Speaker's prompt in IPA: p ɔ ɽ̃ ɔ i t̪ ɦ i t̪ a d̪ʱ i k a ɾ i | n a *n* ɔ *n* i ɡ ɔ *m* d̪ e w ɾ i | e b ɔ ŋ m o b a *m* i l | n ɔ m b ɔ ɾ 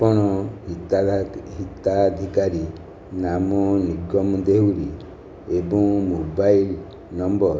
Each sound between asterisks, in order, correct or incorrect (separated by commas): incorrect, correct, correct, incorrect